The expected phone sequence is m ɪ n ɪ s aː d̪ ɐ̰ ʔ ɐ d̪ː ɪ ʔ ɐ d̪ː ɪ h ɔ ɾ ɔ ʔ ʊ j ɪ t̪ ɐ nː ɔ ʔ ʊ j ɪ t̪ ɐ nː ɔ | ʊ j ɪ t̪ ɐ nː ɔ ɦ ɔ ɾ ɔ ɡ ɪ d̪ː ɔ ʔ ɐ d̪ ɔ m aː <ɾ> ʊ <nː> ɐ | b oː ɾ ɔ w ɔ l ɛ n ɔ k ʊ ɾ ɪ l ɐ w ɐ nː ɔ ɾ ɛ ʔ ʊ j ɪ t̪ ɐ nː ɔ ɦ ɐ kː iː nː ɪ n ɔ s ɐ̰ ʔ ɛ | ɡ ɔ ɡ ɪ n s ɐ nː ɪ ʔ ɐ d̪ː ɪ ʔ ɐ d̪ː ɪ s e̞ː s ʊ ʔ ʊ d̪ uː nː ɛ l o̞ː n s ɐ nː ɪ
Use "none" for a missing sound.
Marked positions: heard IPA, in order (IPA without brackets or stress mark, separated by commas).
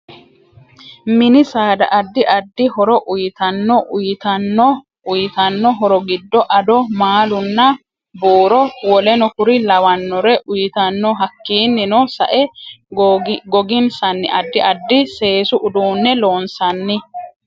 l, nː